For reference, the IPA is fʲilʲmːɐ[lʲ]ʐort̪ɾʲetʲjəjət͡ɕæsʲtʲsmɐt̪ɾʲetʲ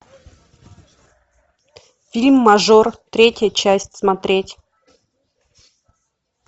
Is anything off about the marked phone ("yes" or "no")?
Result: yes